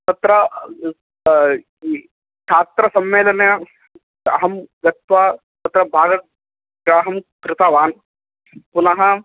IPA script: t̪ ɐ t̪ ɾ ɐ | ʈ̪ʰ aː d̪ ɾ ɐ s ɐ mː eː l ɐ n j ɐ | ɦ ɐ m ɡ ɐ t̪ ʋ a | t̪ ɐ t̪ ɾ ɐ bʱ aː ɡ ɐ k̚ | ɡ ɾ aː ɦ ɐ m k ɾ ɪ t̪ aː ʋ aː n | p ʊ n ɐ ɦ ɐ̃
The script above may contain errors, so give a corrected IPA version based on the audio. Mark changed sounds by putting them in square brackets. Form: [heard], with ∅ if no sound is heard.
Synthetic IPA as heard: t̪ ɐ t̪ ɾ ɐ | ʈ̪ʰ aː [t̪] ɾ ɐ s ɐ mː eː l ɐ n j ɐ | ɦ ɐ m ɡ ɐ t̪ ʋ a | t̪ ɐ t̪ ɾ ɐ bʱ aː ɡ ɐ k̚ | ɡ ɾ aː ɦ ɐ m k ɾ ɪ t̪ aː ʋ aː n | p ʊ n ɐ ɦ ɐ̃

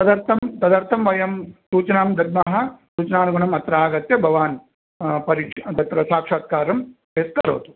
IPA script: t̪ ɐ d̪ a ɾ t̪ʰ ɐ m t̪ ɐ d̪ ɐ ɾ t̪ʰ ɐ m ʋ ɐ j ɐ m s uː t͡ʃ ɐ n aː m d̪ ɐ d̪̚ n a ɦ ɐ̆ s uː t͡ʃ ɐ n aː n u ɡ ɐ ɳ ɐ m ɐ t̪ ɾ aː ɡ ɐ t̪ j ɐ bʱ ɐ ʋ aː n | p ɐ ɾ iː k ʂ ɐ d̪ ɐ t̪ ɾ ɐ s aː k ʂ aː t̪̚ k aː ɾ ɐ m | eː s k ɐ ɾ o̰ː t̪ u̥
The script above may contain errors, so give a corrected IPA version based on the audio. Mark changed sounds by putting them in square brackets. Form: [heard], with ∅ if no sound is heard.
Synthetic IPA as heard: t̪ ɐ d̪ [ɐ] ɾ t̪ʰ ɐ m t̪ ɐ d̪ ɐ ɾ t̪ʰ ɐ m ʋ ɐ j ɐ m s uː t͡ʃ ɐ n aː m d̪ ɐ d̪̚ [m] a ɦ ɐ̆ s uː t͡ʃ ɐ n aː n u ɡ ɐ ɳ ɐ m ɐ t̪ ɾ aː ɡ ɐ t̪ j ɐ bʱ ɐ ʋ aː n | p ɐ ɾ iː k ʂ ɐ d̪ ɐ t̪ ɾ ɐ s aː k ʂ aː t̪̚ k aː ɾ ɐ m | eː s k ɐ ɾ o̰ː t̪ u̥

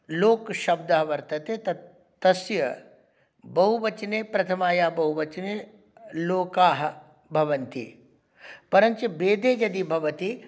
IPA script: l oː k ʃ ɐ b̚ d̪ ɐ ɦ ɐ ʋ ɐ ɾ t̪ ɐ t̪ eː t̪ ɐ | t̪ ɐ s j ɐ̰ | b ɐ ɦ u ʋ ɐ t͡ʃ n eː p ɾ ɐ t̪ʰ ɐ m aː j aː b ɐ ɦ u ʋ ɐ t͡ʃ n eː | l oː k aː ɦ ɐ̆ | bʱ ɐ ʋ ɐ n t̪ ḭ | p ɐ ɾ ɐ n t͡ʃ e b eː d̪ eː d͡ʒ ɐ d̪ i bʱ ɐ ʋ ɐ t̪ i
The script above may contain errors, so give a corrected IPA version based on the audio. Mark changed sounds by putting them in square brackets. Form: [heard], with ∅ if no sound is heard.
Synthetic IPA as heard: l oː k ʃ ɐ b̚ d̪ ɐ ɦ ɐ ʋ ɐ ɾ t̪ ɐ t̪ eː t̪ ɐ | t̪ ɐ s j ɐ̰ | b ɐ ɦ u ʋ ɐ t͡ʃ n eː p ɾ ɐ t̪ʰ ɐ m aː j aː b ɐ ɦ u ʋ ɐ t͡ʃ n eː | l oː k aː ɦ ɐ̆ | bʱ ɐ ʋ ɐ n t̪ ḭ | p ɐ ɾ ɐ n t͡ʃ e b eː d̪ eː d͡ʒ ɐ d̪ i bʱ ɐ ʋ ɐ t̪ i

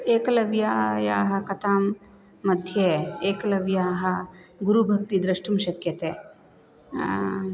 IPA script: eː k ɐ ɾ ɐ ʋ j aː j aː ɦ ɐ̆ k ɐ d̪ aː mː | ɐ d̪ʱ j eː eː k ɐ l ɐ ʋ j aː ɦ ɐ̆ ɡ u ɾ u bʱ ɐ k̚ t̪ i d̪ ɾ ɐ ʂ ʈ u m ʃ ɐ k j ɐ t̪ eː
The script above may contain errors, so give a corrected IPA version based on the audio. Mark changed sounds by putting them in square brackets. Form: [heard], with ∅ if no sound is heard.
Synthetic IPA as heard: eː k ɐ [l] ɐ ʋ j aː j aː ɦ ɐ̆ k ɐ [t̪] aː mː | ɐ d̪ʱ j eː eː k ɐ l ɐ ʋ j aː ɦ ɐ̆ ɡ u ɾ u bʱ ɐ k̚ t̪ i d̪ ɾ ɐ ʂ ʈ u m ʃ ɐ k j ɐ t̪ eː

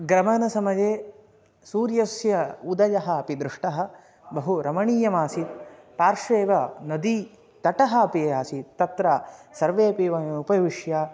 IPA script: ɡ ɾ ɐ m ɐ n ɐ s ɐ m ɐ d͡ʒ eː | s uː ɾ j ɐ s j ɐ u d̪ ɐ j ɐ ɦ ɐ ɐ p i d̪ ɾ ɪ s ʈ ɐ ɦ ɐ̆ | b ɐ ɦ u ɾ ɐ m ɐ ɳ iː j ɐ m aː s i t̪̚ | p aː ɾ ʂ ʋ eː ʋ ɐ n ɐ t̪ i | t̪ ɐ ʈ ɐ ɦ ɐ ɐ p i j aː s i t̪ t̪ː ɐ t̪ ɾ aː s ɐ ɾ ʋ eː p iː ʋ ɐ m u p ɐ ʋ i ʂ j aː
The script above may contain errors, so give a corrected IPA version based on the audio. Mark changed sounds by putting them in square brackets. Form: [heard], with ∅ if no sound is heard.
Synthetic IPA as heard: ɡ ɾ ɐ m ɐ n ɐ s ɐ m ɐ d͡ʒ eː | s uː ɾ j ɐ s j ɐ u d̪ ɐ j ɐ ɦ ɐ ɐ p i d̪ ɾ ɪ [ʂ] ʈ ɐ ɦ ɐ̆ | b ɐ ɦ u ɾ ɐ m ɐ ɳ iː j ɐ m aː s i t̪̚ | p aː ɾ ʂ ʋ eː ʋ ɐ n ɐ [d̪] i | t̪ ɐ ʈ ɐ ɦ ɐ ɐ p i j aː s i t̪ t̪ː ɐ t̪ ɾ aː s ɐ ɾ ʋ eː p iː ʋ ɐ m u p ɐ ʋ i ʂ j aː

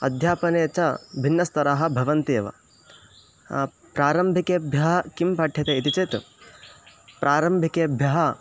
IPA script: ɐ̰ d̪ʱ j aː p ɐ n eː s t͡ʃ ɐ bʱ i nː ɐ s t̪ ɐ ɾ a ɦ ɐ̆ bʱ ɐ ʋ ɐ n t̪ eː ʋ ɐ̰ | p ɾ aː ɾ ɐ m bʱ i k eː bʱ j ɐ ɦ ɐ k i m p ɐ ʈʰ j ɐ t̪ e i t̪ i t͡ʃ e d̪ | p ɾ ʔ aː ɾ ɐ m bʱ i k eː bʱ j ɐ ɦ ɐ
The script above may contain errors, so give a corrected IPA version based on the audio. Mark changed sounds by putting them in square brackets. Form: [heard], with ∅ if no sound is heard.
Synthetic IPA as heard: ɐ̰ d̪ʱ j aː p ɐ n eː [∅] t͡ʃ ɐ bʱ i nː ɐ s t̪ ɐ ɾ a ɦ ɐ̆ bʱ ɐ ʋ ɐ n t̪ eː ʋ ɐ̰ | p ɾ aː ɾ ɐ m bʱ i k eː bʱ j ɐ ɦ ɐ k i m p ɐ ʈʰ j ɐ t̪ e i t̪ i t͡ʃ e [t̪] | p ɾ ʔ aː ɾ ɐ m bʱ i k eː bʱ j ɐ ɦ ɐ

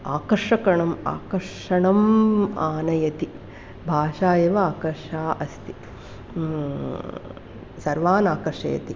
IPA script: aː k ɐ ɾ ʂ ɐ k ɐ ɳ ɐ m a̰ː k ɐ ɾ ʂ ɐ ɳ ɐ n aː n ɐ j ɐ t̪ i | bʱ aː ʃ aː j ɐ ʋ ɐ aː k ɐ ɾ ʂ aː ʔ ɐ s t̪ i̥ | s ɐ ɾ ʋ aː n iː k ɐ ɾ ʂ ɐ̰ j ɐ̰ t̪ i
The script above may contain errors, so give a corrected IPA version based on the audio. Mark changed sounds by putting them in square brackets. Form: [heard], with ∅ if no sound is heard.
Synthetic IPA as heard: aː k ɐ ɾ ʂ ɐ k ɐ ɳ ɐ m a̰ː k ɐ ɾ ʂ ɐ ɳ ɐ [m] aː n ɐ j ɐ t̪ i | bʱ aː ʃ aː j ɐ ʋ ɐ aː k ɐ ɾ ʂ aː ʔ ɐ s t̪ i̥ | s ɐ ɾ ʋ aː n [aː] k ɐ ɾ ʂ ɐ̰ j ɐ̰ t̪ i

